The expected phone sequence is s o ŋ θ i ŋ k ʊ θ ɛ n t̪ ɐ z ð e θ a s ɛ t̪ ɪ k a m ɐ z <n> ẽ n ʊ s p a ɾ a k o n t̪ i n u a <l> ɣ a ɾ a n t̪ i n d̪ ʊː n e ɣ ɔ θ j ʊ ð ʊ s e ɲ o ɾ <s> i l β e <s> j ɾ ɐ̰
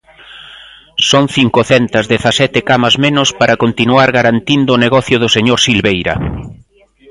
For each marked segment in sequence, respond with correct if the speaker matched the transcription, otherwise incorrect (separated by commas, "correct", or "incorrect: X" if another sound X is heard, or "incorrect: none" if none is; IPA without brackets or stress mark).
incorrect: m, incorrect: ɾ, correct, incorrect: none